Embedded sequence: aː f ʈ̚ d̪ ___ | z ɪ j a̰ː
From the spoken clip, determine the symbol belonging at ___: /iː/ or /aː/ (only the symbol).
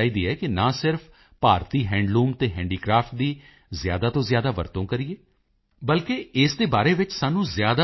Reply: iː